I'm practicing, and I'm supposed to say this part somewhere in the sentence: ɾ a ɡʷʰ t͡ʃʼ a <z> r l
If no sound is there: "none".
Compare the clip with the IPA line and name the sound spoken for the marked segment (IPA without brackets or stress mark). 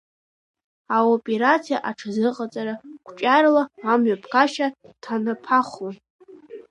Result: none